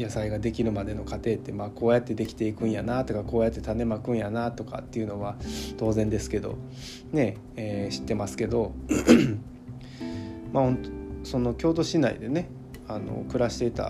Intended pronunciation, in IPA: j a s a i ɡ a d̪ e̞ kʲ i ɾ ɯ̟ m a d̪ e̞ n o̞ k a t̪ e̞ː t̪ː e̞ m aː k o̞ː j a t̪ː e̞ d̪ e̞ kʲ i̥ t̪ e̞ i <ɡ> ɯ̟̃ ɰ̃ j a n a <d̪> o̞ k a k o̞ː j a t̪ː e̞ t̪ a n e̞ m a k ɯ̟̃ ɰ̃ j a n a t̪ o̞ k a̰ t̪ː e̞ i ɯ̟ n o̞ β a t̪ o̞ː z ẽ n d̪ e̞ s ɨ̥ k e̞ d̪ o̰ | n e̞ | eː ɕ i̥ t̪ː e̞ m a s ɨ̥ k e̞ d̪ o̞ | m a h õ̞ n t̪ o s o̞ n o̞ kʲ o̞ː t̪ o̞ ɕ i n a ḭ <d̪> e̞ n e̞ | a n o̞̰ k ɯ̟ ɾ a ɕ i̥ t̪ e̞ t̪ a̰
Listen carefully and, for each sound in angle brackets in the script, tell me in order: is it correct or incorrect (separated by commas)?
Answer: incorrect, incorrect, correct